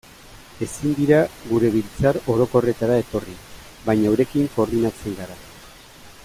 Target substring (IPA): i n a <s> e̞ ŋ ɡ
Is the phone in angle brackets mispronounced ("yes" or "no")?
yes